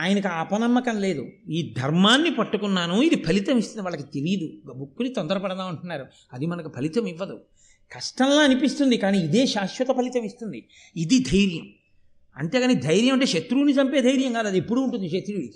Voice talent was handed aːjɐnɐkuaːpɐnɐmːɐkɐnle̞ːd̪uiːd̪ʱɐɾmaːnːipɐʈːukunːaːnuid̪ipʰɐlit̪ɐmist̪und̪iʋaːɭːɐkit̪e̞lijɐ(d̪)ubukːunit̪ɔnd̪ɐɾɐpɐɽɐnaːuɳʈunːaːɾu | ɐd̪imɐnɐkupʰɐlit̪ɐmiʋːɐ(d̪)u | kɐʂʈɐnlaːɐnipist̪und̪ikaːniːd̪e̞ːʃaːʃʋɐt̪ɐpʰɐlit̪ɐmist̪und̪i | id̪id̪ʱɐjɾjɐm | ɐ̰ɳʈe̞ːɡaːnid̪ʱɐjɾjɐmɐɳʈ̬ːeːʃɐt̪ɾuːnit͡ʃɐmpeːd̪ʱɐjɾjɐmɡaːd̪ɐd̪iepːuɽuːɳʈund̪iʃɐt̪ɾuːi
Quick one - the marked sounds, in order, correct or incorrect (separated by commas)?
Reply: correct, correct